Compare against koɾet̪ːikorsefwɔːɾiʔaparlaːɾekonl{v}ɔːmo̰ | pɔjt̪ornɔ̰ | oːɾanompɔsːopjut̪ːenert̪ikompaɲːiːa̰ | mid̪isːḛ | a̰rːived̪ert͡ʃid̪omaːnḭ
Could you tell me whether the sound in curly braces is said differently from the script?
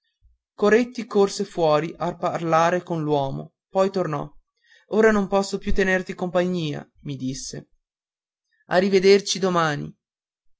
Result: yes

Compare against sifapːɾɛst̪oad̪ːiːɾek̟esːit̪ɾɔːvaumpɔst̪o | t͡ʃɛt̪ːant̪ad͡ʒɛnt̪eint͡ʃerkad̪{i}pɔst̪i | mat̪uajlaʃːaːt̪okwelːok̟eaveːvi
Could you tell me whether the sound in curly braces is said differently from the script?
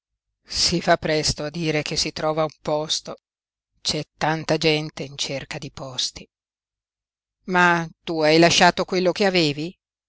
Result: no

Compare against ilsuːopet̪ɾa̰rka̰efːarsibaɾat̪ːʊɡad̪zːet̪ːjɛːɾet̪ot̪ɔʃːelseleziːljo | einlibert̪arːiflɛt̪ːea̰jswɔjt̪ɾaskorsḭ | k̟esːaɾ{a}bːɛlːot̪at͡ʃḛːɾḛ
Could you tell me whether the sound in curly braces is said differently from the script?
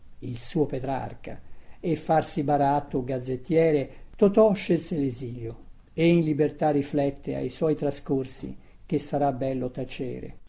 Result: no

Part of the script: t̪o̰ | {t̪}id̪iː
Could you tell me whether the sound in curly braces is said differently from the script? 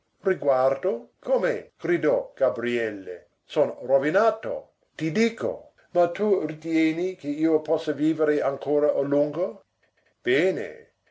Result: no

